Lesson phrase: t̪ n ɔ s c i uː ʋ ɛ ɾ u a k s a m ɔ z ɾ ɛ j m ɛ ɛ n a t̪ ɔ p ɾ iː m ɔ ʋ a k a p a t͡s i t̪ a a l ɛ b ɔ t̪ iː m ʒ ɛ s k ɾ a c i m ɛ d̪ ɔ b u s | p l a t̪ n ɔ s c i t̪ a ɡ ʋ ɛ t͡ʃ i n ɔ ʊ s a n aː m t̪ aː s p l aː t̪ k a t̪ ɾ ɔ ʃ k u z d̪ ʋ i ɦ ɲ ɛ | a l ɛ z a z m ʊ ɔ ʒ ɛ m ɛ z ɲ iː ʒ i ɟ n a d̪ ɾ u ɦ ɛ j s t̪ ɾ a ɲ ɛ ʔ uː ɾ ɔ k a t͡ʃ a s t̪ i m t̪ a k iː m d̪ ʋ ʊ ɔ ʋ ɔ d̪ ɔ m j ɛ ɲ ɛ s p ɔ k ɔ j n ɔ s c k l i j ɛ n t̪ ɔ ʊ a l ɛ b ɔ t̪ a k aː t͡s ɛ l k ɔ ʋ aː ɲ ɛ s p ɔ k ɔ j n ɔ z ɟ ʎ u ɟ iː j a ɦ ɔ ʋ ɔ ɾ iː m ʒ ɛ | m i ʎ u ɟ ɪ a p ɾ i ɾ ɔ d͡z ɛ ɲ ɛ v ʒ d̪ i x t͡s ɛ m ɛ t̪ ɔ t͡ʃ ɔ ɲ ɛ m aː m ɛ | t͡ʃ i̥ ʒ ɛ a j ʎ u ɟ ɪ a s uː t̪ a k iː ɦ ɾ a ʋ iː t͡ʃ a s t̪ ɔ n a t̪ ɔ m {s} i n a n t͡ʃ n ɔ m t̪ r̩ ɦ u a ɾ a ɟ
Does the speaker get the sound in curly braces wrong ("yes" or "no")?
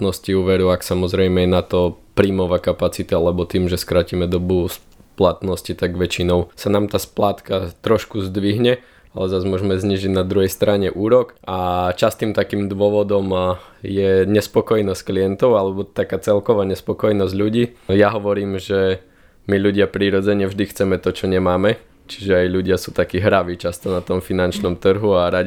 yes